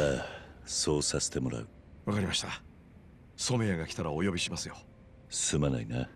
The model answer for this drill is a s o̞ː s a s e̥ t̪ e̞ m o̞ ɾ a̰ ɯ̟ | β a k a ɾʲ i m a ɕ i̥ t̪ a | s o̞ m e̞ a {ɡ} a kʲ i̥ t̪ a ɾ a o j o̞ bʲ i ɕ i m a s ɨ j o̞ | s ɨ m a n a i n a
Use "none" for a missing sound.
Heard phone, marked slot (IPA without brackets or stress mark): ɡ